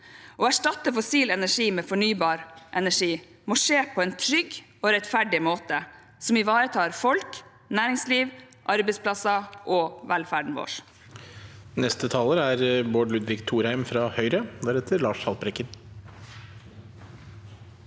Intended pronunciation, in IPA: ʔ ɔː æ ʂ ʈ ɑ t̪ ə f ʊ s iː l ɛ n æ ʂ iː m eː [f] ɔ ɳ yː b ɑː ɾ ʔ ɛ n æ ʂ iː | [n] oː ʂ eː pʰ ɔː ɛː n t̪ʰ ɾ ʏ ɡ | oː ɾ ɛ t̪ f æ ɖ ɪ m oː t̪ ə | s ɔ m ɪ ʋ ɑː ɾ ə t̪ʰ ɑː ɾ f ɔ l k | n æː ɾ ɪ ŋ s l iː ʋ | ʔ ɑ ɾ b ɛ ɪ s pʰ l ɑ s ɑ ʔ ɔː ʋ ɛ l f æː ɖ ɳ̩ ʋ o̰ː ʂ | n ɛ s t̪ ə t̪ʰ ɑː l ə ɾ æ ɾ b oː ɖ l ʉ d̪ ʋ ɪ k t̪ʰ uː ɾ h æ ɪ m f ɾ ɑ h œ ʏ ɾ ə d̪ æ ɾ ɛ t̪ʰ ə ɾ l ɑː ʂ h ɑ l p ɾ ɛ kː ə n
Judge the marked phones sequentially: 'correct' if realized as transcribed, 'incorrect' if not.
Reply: correct, incorrect: m

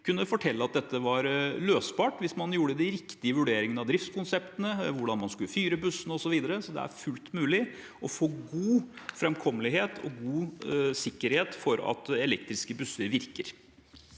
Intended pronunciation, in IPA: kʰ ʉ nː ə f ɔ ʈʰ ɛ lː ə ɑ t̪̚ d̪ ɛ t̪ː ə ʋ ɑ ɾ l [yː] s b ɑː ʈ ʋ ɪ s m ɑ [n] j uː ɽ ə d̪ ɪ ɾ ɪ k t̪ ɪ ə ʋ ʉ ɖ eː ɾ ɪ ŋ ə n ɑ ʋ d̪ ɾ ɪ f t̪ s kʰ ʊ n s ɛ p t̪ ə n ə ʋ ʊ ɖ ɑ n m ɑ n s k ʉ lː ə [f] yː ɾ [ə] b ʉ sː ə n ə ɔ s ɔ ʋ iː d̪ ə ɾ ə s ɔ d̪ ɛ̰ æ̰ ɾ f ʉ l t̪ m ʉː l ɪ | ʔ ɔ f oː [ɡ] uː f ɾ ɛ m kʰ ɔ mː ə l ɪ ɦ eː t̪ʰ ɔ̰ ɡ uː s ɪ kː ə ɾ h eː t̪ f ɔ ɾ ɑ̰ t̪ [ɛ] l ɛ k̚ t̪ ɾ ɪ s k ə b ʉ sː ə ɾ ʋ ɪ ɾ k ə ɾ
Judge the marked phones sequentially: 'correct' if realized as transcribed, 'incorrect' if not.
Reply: incorrect: øː, correct, correct, correct, correct, correct

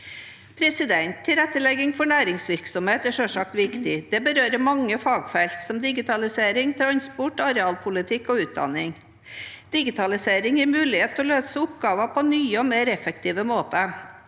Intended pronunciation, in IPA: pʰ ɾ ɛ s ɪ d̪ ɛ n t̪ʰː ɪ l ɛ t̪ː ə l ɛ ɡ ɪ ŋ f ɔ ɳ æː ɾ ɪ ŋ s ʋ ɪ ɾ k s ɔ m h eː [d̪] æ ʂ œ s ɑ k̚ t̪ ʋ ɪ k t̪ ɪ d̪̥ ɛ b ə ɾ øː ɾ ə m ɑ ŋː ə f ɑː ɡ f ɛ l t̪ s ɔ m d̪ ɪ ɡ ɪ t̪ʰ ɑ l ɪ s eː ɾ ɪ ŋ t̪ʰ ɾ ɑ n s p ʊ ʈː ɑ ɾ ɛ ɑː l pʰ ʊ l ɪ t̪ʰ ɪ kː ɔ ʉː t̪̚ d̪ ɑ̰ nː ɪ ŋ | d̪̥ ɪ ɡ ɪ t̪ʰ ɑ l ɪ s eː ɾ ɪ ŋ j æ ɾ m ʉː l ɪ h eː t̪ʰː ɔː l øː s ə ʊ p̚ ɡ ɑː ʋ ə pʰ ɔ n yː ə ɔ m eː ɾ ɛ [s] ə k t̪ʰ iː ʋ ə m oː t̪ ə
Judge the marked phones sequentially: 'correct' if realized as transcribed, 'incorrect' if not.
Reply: incorrect: t̪, incorrect: f

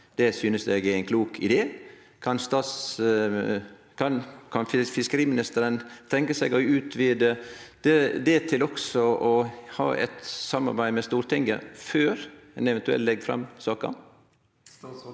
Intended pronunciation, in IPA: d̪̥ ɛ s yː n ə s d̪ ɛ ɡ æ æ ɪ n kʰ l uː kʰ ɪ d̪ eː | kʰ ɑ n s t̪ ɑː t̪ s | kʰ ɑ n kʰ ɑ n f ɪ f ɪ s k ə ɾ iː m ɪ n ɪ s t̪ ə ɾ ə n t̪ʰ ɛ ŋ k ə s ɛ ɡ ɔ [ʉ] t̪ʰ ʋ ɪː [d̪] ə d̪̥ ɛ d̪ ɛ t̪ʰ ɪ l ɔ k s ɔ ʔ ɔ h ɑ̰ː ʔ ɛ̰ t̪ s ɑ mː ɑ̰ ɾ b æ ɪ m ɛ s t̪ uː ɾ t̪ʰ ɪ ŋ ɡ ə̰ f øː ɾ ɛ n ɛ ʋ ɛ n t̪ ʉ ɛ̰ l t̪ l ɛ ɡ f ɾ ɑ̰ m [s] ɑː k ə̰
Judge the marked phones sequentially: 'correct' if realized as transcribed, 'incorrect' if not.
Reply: incorrect: ʉː, correct, correct

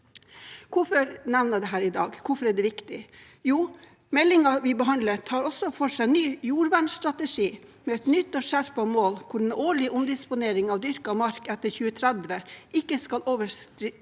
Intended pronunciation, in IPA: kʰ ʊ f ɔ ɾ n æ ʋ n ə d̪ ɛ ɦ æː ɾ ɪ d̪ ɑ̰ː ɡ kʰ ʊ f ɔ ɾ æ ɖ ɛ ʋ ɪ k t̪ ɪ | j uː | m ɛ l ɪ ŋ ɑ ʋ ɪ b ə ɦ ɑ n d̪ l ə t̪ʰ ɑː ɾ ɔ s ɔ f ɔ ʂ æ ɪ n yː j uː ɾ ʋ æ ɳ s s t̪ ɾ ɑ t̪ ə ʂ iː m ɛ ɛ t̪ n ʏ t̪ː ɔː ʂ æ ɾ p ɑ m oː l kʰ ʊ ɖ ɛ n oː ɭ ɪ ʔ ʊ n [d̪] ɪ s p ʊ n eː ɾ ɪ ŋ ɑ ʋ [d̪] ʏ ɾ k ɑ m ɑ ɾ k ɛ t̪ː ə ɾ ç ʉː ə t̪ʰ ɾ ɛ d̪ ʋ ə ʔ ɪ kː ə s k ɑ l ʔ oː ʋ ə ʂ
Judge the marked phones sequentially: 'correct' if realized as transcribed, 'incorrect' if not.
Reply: correct, correct

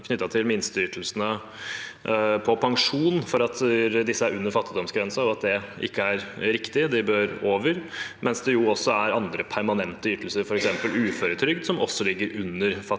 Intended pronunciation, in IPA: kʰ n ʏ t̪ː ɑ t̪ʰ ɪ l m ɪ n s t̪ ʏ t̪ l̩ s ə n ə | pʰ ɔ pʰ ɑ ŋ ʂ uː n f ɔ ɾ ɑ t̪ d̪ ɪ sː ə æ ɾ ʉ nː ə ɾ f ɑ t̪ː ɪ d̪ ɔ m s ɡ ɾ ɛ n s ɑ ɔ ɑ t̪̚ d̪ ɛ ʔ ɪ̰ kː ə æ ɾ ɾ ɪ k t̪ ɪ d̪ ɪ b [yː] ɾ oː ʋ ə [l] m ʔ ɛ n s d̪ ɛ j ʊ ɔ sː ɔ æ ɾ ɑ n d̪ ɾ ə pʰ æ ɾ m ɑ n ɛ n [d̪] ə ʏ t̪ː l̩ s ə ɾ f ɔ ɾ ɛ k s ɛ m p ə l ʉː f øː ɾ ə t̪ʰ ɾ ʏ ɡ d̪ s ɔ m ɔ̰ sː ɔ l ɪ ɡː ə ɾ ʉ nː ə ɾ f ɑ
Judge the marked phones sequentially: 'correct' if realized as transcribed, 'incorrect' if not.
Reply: incorrect: øː, incorrect: ɾ, incorrect: t̪

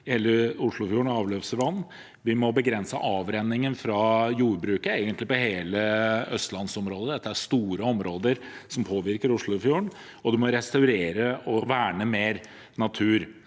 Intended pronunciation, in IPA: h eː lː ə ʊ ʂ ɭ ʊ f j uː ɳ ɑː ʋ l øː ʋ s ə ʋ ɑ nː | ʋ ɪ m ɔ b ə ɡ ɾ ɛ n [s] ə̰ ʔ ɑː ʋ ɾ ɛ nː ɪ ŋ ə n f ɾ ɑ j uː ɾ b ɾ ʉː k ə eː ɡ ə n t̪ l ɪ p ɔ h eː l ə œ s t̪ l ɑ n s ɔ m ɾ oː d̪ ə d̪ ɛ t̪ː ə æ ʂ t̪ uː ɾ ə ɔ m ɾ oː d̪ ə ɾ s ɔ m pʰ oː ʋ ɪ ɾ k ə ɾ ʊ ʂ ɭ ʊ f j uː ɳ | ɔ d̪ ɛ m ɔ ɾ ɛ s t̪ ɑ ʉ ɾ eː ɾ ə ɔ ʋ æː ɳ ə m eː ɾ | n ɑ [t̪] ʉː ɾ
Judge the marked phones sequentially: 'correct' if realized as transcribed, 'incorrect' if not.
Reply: correct, incorrect: t̪ʰ

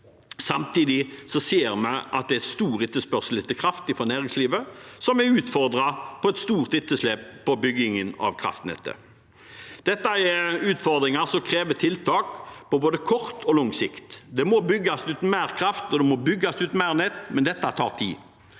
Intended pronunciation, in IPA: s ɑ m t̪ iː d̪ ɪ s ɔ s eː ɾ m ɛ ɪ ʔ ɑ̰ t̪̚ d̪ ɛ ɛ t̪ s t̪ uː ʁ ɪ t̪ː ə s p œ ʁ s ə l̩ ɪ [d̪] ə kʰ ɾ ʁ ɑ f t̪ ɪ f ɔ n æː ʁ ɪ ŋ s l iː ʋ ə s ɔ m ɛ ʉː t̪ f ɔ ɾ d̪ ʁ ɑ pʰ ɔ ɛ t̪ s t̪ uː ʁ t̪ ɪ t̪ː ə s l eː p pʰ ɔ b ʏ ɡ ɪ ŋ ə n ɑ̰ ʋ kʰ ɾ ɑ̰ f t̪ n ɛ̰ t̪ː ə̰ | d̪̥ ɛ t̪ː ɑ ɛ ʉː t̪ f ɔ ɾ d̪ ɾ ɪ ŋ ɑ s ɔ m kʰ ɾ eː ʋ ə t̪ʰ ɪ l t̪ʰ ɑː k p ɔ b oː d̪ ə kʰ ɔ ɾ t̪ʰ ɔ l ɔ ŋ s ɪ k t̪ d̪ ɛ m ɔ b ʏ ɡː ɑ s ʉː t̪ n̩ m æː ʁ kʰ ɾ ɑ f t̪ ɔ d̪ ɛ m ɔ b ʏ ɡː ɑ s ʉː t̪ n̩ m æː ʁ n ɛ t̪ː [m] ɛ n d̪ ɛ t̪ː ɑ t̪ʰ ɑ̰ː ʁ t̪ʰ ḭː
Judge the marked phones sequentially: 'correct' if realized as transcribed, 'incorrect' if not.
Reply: incorrect: t̪, correct

